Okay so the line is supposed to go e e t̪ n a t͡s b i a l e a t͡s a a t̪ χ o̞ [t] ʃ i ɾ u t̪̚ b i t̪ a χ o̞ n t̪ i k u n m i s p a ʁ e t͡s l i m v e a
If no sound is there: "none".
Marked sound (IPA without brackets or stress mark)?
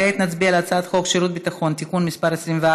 k